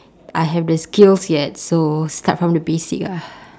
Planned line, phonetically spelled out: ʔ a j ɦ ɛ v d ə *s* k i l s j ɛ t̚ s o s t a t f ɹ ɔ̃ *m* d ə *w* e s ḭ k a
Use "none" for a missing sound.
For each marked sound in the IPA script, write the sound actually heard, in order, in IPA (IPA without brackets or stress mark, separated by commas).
s, m, b